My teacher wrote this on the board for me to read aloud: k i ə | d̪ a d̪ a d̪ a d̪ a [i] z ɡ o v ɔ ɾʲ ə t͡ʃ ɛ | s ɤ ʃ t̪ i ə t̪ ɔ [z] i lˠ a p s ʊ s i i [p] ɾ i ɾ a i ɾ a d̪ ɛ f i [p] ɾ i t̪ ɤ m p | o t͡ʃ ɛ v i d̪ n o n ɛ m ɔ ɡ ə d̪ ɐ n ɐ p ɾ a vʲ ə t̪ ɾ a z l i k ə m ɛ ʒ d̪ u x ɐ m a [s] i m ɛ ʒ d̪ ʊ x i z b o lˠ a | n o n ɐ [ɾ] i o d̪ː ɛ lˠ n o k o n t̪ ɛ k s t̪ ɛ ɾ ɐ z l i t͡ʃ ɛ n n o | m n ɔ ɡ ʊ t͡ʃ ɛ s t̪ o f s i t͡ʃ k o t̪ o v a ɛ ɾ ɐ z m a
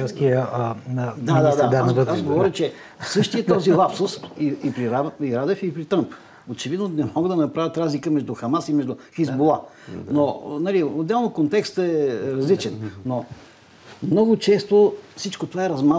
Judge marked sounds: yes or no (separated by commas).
no, yes, yes, yes, yes, no